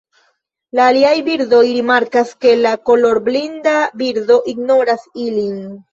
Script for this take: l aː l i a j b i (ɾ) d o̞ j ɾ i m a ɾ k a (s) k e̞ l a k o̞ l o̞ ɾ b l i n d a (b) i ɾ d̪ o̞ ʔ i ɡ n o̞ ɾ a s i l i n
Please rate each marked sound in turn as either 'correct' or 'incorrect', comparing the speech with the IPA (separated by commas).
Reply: correct, correct, correct